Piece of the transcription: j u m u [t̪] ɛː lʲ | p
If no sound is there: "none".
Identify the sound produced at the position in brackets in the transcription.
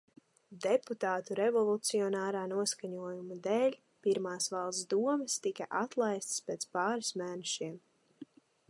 d̪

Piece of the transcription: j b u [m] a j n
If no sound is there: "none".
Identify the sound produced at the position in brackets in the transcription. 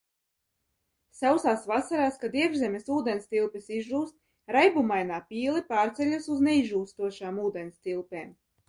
m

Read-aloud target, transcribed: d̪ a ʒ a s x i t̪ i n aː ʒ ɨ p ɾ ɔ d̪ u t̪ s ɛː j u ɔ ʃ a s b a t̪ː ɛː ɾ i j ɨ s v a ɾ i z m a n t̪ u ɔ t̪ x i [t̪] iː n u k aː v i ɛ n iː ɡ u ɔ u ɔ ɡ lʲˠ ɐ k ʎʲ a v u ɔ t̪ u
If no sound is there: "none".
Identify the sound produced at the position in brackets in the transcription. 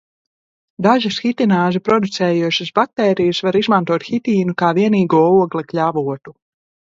t̪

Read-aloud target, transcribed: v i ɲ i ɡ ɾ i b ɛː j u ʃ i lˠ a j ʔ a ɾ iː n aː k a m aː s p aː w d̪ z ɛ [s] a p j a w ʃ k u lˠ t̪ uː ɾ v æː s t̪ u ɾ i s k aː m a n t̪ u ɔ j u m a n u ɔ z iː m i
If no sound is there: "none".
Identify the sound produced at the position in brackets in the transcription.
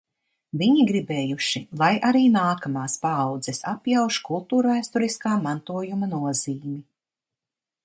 s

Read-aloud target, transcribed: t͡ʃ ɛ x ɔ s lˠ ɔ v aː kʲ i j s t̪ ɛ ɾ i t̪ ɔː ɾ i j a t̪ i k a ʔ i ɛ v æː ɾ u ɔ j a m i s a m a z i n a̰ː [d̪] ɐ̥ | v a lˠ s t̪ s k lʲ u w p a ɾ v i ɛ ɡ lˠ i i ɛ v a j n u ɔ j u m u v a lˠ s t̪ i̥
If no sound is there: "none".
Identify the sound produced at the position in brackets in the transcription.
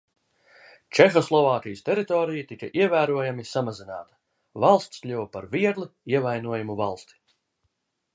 t̪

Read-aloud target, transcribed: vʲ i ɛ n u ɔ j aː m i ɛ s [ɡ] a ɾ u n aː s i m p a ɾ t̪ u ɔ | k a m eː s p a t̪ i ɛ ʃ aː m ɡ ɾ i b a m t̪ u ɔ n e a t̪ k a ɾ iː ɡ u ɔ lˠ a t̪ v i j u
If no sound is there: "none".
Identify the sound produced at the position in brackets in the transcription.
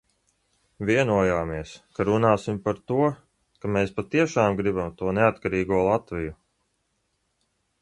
k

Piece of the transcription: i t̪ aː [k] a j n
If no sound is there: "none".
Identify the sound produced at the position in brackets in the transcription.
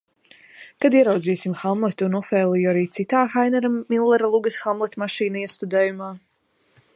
x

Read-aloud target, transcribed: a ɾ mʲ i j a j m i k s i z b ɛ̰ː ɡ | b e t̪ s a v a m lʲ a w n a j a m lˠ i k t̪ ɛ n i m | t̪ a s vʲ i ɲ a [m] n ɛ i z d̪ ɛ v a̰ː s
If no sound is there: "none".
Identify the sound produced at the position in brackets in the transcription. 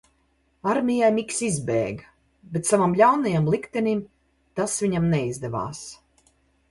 m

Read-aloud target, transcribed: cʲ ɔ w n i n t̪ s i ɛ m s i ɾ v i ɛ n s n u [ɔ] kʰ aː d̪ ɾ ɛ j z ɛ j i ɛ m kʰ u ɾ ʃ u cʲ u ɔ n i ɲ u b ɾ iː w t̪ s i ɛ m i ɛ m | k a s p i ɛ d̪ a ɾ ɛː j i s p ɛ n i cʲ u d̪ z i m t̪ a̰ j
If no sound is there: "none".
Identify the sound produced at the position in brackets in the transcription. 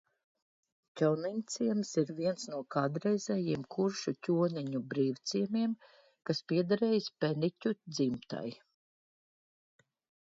ɔ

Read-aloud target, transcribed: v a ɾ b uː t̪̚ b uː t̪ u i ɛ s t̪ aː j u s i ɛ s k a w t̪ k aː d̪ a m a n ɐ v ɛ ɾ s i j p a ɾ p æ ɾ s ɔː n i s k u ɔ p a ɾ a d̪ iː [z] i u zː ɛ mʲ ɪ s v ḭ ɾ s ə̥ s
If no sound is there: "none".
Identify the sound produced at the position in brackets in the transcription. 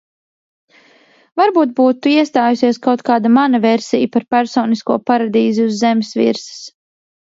z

